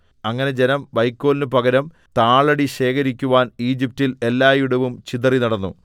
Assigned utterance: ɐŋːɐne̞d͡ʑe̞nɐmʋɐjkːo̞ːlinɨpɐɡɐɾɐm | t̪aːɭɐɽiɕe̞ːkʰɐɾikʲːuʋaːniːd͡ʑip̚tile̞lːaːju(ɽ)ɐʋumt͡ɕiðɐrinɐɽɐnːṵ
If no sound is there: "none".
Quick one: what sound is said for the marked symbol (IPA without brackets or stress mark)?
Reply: ɽ